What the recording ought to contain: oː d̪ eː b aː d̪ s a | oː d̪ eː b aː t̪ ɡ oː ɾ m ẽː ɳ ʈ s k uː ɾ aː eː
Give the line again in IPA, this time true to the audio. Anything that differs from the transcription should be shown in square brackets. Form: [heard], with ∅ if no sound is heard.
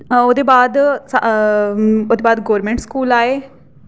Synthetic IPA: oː d̪ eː b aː d̪ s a | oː d̪ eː b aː [d̪] ɡ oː ɾ m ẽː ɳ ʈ s k uː [l] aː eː